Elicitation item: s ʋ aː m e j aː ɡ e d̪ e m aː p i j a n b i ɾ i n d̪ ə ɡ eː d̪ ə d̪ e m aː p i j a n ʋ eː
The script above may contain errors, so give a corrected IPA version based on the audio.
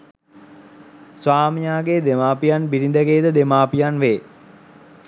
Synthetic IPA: s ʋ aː m i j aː ɡ e d̪ e m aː p i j a n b i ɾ i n d̪ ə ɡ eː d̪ ə d̪ e m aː p i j a n ʋ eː